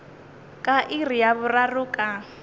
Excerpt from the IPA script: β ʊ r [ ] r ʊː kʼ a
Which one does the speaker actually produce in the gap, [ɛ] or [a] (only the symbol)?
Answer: a